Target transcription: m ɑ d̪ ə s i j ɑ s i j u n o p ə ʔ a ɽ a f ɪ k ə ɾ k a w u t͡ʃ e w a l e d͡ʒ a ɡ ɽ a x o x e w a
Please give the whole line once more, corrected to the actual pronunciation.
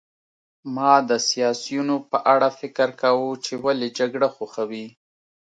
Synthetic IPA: m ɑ d̪ ə s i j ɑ s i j u n o p ə ʔ a ɽ a f ɪ k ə ɾ k a w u t͡ʃ e w a l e d͡ʒ a ɡ ɽ a x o x a w i